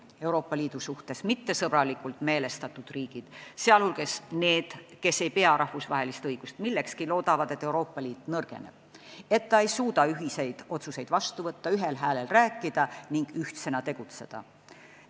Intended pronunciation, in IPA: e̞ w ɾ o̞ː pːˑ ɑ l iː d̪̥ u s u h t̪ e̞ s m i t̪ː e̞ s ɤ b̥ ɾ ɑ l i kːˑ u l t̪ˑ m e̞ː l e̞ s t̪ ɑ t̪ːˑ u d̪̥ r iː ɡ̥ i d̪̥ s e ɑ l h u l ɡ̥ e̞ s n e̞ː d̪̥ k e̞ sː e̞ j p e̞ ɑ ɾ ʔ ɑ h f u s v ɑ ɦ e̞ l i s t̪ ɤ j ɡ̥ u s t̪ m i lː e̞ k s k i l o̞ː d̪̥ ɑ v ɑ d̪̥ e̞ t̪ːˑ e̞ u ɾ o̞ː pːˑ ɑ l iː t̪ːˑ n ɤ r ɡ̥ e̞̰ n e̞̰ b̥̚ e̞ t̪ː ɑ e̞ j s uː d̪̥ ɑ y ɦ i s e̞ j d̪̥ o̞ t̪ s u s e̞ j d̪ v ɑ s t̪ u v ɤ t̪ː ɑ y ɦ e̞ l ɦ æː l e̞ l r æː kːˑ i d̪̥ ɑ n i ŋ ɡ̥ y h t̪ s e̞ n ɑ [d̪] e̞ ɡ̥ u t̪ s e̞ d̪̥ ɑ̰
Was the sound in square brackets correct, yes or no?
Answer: no